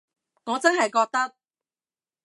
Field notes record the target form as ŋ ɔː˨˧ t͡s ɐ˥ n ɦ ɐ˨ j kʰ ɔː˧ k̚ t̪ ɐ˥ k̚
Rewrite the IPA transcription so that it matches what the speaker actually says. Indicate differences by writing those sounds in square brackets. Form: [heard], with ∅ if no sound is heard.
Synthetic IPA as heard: ŋ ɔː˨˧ t͡s ɐ˥ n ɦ ɐ˨ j [k] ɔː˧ k̚ t̪ ɐ˥ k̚

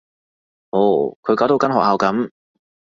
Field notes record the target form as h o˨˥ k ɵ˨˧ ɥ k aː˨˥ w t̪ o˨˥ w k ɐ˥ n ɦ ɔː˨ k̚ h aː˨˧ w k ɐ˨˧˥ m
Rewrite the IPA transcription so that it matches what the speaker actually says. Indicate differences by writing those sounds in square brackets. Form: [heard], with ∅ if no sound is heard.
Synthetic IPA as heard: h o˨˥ [kʰ] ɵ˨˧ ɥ k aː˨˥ w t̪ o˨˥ w k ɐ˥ n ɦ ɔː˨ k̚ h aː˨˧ w k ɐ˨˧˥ m

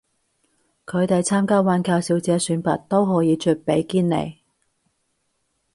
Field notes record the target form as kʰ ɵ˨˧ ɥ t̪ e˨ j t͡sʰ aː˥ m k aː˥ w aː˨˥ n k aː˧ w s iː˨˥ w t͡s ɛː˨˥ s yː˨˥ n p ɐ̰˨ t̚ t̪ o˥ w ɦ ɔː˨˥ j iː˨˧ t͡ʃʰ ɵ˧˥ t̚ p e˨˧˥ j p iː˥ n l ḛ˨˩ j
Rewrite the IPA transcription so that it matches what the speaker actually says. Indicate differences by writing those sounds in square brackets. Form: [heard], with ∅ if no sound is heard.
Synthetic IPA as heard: kʰ ɵ˨˧ ɥ t̪ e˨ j t͡sʰ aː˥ m k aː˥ w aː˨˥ n k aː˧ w s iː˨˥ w t͡s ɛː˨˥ s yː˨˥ n p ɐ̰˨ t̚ t̪ o˥ w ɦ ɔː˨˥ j iː˨˧ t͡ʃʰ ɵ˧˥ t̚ p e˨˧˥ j [k] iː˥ n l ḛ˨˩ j

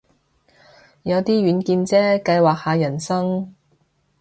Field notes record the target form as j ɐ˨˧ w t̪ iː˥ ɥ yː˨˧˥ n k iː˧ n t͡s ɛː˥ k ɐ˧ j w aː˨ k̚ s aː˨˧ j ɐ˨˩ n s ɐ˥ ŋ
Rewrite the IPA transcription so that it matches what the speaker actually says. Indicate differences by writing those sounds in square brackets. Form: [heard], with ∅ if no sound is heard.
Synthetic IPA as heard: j ɐ˨˧ w t̪ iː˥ ɥ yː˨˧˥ n k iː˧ n t͡s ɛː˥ k ɐ˧ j w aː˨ k̚ [h] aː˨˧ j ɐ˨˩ n s ɐ˥ ŋ

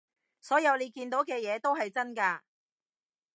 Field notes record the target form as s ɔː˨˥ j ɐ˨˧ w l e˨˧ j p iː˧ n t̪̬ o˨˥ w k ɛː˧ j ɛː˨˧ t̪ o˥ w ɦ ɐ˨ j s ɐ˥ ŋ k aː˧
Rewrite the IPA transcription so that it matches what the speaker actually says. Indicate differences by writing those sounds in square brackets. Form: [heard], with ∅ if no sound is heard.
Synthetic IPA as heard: s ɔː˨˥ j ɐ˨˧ w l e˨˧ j [k] iː˧ n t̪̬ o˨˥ w k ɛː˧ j ɛː˨˧ t̪ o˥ w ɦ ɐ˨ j [t͡s] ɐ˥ [n] k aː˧

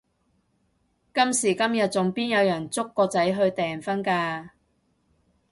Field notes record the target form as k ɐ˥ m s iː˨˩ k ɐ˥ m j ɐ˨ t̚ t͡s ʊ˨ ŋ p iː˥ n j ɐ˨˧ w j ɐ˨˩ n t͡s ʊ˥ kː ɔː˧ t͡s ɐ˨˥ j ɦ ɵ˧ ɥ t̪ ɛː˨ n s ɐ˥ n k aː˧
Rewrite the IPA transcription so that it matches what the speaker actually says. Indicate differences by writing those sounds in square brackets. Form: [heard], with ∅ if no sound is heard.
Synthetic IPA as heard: k ɐ˥ m s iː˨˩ k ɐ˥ m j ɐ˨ t̚ t͡s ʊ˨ ŋ p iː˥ n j ɐ˨˧ w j ɐ˨˩ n t͡s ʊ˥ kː ɔː˧ t͡s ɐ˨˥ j ɦ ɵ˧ ɥ t̪ ɛː˨ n [f] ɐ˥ n k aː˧

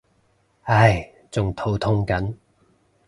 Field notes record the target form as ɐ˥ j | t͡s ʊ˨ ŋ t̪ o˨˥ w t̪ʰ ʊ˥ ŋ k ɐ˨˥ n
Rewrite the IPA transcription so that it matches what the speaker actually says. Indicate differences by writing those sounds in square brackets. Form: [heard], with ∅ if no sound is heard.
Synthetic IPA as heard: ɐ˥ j | t͡s ʊ˨ ŋ [t̪ʰ] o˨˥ w t̪ʰ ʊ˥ ŋ k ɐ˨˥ n

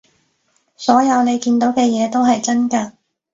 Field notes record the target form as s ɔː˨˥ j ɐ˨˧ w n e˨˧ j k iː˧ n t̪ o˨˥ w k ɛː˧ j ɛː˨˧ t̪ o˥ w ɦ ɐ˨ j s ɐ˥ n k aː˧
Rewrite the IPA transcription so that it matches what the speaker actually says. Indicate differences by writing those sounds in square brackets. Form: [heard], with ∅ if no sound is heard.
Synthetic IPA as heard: s ɔː˨˥ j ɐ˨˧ w n e˨˧ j k iː˧ n t̪ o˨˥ w k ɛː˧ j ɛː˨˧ t̪ o˥ w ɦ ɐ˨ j [t͡s] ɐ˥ n k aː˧

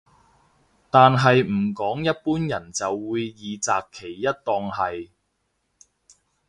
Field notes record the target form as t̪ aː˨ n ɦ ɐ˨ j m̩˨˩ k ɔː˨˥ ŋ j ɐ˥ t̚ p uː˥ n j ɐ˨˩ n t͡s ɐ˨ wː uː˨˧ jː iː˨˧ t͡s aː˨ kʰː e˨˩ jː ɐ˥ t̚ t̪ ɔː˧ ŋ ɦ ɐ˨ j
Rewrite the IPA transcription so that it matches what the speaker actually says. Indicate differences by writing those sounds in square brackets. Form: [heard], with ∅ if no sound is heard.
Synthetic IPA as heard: t̪ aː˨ n ɦ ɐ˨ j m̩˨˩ k ɔː˨˥ ŋ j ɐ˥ t̚ p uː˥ n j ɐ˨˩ n t͡s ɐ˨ wː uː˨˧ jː iː˨˧ t͡s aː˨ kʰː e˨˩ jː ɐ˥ t̚ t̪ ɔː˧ ŋ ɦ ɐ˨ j

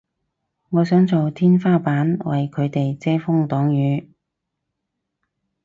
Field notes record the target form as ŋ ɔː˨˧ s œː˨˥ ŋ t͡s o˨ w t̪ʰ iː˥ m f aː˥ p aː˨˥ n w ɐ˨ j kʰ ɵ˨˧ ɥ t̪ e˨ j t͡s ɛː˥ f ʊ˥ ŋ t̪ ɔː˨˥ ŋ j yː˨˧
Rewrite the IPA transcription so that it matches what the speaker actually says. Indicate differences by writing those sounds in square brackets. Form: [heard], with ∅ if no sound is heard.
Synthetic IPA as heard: ŋ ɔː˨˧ s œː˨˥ ŋ t͡s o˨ w t̪ʰ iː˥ [n] f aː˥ p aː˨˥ n w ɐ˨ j kʰ ɵ˨˧ ɥ t̪ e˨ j t͡s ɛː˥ f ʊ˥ ŋ t̪ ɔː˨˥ ŋ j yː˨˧

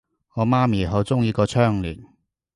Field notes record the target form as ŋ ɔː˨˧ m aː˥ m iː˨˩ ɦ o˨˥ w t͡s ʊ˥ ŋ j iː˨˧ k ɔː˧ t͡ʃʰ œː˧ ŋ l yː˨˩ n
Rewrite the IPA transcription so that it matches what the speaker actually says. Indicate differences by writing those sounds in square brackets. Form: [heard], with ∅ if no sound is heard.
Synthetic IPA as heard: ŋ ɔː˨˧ m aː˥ m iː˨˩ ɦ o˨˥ w t͡s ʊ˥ ŋ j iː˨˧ k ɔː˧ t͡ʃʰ [œː˥] ŋ l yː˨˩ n

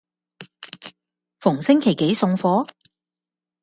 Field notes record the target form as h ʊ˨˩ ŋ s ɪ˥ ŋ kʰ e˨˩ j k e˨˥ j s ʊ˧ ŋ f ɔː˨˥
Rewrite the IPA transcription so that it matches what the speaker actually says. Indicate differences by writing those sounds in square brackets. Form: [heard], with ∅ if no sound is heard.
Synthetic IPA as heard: [f] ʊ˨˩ ŋ s ɪ˥ ŋ kʰ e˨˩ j k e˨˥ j s ʊ˧ ŋ f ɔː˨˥

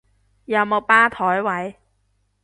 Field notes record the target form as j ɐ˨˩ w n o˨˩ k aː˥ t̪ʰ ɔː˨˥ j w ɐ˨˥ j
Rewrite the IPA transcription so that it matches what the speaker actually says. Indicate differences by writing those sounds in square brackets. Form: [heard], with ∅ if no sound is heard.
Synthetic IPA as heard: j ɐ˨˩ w [m] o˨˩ [p] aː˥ t̪ʰ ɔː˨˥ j w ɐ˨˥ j

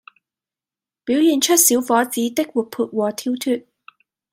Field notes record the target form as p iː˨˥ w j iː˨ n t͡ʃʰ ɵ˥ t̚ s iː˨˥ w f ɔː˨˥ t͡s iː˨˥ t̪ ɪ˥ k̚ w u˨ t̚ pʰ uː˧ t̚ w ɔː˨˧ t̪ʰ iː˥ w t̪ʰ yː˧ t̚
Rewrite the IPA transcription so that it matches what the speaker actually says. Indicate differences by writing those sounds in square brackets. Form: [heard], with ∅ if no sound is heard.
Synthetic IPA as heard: p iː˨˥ w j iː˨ n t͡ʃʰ ɵ˥ t̚ s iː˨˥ w f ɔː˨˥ t͡s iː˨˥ t̪ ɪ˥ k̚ w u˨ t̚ pʰ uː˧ t̚ w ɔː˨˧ t̪ʰ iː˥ w t̪ʰ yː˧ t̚

